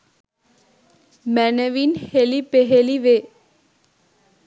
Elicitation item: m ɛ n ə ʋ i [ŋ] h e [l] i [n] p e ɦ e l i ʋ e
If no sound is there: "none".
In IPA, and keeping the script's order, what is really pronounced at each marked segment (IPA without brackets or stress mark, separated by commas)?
n, l, none